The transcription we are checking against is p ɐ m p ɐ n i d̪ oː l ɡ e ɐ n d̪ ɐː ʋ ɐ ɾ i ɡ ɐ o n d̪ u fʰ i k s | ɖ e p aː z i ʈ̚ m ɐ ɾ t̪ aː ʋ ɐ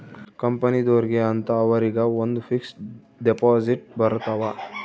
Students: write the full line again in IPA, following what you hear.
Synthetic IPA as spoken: k ɐ m p ɐ n i d̪ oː ɾ ɡ e ɐ n t̪ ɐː ʋ ɐ ɾ i ɡ ɐ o n d̪ u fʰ i k s | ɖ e p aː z i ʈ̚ b ɐ ɾ t̪ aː ʋ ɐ